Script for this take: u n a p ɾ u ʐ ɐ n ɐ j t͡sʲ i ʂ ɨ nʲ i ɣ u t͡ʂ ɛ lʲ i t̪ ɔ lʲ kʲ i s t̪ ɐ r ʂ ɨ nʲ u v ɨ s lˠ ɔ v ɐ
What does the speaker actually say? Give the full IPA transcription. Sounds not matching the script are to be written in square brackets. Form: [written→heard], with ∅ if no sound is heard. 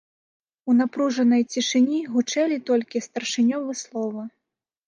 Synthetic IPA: u n a p ɾ u ʐ ɐ n ɐ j t͡sʲ i ʂ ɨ nʲ i ɣ u t͡ʂ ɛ lʲ i t̪ ɔ lʲ kʲ i s t̪ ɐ r ʂ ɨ nʲ [u→ɔ] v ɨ s lˠ ɔ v ɐ